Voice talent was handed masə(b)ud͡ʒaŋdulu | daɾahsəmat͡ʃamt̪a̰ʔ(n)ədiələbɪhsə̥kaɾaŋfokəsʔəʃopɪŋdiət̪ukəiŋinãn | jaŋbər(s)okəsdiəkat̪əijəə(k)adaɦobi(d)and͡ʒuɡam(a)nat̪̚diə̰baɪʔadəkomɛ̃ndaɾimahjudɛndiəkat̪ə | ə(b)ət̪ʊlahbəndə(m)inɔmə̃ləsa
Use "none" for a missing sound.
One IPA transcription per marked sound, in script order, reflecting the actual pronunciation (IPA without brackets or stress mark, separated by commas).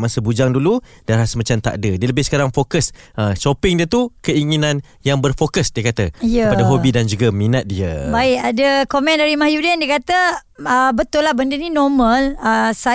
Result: b, d, f, p, d, i, b, n